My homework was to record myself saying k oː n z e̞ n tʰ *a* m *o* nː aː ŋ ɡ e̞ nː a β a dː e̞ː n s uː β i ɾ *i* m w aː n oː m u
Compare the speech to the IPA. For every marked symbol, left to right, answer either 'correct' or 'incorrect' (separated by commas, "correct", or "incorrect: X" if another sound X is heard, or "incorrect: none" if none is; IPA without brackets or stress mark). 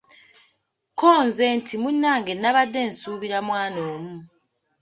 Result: incorrect: i, incorrect: u, incorrect: a